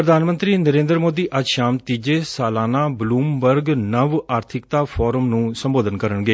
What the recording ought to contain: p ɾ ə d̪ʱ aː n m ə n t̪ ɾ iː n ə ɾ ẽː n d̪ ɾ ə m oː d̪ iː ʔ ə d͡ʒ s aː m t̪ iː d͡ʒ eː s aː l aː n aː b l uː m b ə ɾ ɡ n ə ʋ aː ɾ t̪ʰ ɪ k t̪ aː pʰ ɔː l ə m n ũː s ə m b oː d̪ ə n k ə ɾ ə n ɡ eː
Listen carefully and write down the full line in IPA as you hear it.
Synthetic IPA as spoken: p ɾ ə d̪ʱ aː n m ə n t̪ ɾ iː n ə ɾ ẽː n d̪ ɾ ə m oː d̪ iː ʔ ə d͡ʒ ʃ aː m t̪ iː d͡ʒ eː s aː l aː n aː b l uː m b ə ɾ ɡ n ə ʋ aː ɾ t̪ʰ ɪ k t̪ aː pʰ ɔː ɾ ə m n ũː s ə m b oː d̪ ə n k ə ɾ ə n ɡ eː